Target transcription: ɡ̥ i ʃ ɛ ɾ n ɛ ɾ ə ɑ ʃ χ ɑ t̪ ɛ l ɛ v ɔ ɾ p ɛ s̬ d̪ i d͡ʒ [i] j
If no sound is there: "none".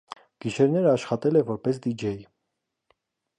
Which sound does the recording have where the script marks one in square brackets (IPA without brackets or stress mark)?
ɛ